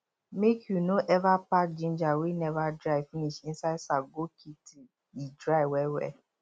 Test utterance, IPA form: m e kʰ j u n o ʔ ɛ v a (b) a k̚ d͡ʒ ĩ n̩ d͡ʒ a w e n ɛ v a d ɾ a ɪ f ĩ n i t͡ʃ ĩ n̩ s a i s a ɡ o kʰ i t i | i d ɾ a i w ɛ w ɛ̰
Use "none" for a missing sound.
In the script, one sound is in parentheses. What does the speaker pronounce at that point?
p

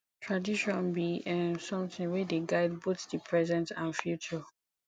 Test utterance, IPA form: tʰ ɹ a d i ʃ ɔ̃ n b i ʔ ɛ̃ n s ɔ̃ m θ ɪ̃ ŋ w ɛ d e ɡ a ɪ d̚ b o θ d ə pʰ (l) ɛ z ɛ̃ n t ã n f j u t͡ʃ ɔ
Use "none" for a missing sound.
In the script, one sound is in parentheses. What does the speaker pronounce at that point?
ɹ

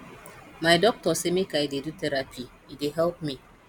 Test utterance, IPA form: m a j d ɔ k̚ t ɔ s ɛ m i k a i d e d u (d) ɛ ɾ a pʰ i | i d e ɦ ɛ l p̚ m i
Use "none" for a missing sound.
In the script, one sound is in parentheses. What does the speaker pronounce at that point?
t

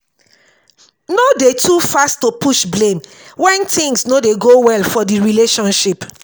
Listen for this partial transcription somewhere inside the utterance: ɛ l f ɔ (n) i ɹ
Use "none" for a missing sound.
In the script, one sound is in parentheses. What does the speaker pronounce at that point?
d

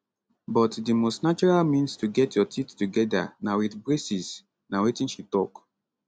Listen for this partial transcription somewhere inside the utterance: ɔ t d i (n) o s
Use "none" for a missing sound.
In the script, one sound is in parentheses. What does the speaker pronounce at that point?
m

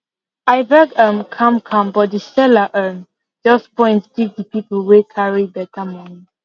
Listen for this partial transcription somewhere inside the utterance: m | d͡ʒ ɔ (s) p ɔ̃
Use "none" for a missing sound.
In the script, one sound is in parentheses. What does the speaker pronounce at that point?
s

